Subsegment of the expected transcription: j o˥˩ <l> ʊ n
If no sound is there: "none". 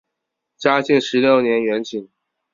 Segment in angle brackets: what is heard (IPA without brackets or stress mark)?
none